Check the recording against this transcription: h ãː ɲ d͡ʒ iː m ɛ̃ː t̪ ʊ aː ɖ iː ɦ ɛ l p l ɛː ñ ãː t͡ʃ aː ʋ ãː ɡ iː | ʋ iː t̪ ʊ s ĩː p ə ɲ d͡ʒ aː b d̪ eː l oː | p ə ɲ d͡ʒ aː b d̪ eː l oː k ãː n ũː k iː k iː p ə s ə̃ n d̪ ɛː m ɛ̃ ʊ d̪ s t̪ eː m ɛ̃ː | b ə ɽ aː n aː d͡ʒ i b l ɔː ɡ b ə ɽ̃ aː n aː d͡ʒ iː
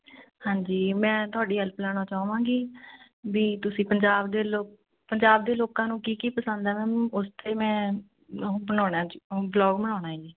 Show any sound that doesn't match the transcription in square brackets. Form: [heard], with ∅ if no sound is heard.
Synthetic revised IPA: h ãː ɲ d͡ʒ iː m ɛ̃ː t̪ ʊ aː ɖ iː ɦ ɛ l p l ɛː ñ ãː t͡ʃ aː ʋ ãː ɡ iː | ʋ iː t̪ ʊ s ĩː p ə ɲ d͡ʒ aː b d̪ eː l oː | p ə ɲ d͡ʒ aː b d̪ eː l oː k ãː n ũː k iː k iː p ə s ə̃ n d̪ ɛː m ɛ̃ ʊ [∅] s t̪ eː m ɛ̃ː | b ə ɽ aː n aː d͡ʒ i b l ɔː ɡ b ə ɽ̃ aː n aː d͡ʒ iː